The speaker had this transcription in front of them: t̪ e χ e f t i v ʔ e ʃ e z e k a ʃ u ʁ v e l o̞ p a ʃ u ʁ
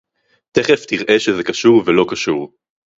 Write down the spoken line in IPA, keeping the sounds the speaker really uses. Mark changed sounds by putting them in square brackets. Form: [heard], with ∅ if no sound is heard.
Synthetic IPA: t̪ e χ e f t i [ʁ] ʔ e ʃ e z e k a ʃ u ʁ v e l o̞ [k] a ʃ u ʁ